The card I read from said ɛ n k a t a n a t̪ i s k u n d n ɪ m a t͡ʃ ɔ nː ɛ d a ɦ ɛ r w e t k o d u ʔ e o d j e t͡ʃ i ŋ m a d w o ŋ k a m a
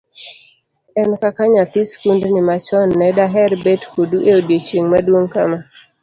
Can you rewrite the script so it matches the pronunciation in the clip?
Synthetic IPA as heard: ɛ n k a k a ɲ a t̪ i s k u n d n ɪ m a t͡ʃ ɔ nː ɛ d a ɦ ɛ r b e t k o d u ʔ e o d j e t͡ʃ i ŋ m a d w o ŋ k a m a